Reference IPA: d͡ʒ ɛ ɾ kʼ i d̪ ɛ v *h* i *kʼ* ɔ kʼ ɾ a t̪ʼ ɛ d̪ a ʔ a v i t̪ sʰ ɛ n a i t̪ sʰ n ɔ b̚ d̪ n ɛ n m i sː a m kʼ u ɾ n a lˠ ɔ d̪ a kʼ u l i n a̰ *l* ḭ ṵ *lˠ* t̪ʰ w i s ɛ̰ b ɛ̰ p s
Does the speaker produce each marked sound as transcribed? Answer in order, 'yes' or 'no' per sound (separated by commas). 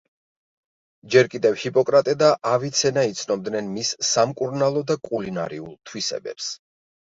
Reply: yes, no, no, yes